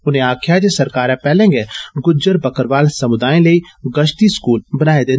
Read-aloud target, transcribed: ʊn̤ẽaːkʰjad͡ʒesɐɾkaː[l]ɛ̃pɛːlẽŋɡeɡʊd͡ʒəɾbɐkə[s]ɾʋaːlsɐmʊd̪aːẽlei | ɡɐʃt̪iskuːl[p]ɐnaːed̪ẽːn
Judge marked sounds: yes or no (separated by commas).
no, no, no